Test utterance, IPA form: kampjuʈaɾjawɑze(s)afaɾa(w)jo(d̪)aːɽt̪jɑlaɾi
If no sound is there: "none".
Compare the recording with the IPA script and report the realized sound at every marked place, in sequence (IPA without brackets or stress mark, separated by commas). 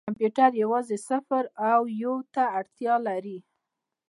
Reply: s, w, t̪